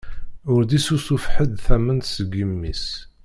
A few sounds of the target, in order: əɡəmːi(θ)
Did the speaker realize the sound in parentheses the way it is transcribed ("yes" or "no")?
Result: no